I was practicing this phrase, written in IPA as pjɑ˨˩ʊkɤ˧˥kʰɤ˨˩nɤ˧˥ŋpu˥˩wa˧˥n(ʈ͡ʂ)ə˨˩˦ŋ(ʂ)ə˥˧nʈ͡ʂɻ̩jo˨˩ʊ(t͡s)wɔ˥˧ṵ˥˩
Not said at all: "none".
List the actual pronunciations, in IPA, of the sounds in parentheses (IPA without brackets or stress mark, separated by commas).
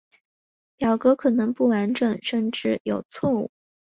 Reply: ʈ͡ʂ, ʂ, t͡sʰ